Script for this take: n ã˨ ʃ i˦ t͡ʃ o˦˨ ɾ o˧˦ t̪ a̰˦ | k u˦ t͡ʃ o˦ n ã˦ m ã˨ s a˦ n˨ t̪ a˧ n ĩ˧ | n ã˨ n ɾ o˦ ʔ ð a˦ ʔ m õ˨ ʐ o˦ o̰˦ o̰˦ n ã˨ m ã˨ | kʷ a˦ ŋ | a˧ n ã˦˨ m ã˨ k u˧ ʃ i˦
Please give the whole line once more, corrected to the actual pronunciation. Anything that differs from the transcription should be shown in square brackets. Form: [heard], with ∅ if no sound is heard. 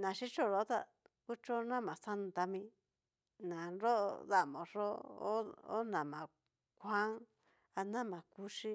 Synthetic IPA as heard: n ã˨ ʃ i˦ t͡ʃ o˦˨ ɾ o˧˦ t̪ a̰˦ | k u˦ t͡ʃ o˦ n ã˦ m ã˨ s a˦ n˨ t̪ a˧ [m] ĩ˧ | n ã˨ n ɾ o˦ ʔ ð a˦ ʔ m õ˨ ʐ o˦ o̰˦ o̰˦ n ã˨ m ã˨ | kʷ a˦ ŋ | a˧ n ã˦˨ m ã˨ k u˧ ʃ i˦